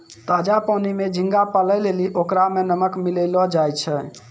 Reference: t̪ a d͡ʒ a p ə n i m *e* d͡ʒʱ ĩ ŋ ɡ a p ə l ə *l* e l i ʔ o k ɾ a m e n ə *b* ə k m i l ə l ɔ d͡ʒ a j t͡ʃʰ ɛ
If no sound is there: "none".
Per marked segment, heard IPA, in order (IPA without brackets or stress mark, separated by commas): e, l, m